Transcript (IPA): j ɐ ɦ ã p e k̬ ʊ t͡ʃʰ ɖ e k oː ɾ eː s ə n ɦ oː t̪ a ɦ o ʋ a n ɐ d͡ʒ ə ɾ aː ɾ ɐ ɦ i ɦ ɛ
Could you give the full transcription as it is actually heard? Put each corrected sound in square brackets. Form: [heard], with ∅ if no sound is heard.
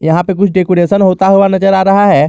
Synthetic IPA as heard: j ɐ ɦ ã p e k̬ ʊ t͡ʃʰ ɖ e k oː ɾ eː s ə n ɦ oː t̪ a ɦ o ʋ a n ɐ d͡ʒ ə ɾ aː ɾ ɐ ɦ [a] ɦ ɛ